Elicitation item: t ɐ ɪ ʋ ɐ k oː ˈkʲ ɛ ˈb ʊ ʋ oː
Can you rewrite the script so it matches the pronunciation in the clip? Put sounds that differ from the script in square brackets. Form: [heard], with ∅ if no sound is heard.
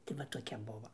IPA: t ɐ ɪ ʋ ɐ [t] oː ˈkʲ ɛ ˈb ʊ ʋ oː